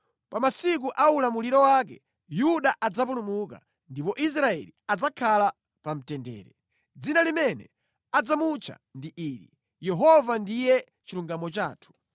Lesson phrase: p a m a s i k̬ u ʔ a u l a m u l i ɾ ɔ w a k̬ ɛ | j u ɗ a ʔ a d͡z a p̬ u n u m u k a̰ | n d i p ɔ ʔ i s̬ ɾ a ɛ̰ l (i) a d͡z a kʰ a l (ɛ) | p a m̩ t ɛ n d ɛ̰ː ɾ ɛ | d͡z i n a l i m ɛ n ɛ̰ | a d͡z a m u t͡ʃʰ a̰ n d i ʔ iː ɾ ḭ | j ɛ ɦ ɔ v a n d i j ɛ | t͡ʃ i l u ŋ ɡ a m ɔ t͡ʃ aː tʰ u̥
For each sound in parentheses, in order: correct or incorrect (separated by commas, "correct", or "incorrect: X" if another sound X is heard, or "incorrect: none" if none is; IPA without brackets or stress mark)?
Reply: correct, incorrect: a